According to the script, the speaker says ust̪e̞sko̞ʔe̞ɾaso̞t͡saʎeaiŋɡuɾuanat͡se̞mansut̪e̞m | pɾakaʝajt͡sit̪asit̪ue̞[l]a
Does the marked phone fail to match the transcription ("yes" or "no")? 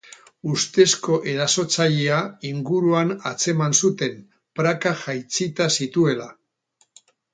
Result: no